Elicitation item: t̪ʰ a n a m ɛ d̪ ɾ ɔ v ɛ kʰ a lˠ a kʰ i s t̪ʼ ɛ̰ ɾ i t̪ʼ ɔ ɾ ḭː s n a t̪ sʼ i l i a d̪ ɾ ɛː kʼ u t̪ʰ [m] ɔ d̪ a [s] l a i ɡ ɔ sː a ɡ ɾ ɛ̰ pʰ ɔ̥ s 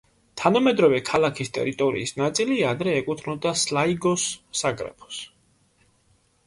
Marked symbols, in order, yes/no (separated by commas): no, yes